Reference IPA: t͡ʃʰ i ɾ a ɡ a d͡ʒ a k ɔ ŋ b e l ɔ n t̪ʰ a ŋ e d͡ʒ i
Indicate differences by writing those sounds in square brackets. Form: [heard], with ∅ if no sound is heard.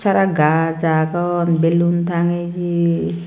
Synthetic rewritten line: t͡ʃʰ [a] ɾ a ɡ a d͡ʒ a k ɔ [n] b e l [u] n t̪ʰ a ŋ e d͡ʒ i